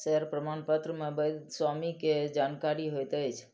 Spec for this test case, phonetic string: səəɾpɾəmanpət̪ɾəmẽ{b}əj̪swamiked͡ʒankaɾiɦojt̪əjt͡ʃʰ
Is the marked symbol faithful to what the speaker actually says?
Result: yes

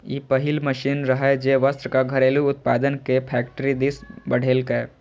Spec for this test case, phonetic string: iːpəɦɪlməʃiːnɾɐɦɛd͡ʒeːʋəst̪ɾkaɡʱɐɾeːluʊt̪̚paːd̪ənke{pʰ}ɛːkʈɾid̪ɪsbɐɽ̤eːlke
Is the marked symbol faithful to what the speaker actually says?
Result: yes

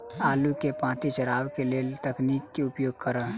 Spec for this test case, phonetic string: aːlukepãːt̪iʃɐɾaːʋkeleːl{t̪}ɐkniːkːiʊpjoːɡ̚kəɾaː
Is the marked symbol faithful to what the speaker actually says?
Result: yes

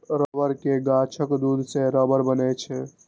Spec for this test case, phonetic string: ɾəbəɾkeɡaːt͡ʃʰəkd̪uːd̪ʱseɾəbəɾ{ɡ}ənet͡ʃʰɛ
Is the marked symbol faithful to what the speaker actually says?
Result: no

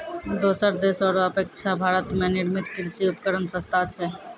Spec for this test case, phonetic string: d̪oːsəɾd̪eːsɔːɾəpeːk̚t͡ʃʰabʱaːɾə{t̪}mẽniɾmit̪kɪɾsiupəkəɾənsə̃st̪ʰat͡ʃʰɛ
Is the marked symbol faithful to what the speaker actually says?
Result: yes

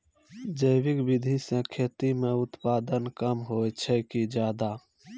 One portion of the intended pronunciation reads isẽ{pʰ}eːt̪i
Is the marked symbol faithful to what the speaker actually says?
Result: no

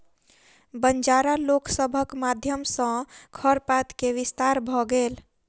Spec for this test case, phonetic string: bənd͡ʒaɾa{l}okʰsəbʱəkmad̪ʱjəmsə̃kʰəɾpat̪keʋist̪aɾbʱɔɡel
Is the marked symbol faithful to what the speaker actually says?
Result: yes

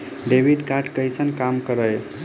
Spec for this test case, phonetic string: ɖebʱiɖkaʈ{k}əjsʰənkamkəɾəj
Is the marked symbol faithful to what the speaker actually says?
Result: yes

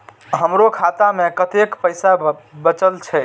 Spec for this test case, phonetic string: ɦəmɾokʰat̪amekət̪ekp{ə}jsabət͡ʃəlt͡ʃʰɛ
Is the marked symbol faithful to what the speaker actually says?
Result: yes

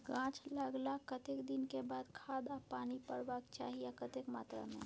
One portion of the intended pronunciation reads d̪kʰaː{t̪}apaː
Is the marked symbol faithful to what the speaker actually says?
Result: no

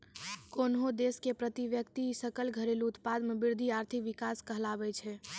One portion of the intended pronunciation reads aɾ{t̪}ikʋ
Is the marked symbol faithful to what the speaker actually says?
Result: no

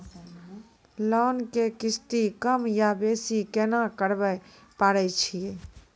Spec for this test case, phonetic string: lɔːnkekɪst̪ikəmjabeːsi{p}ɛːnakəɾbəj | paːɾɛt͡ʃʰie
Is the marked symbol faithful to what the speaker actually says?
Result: no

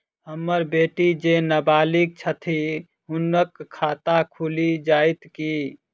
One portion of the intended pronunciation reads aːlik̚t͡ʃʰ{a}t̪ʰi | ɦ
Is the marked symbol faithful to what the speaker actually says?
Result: no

